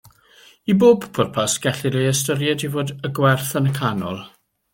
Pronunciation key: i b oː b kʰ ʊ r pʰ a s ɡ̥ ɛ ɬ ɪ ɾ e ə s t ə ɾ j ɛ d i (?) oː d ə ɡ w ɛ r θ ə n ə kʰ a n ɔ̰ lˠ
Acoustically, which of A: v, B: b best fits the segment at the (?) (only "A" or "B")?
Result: A